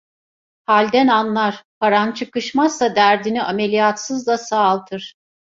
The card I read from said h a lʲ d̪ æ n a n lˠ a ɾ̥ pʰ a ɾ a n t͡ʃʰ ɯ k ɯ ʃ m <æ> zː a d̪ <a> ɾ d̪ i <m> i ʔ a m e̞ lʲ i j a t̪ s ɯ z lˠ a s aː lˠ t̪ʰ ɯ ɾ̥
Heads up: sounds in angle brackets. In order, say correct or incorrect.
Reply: incorrect, incorrect, incorrect

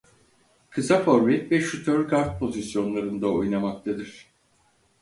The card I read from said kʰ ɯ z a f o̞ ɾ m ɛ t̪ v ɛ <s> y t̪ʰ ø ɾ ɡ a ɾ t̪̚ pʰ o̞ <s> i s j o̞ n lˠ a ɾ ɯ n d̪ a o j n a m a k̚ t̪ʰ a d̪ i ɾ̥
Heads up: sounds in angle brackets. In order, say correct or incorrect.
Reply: incorrect, incorrect

